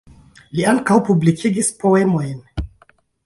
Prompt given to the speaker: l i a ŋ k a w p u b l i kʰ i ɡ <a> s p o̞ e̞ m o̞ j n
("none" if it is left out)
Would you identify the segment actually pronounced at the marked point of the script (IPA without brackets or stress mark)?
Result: i